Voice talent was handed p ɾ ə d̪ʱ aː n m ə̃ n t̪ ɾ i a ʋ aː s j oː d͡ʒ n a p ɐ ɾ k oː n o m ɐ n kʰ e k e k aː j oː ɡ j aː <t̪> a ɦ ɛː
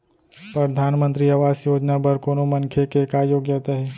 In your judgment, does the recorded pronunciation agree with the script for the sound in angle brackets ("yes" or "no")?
yes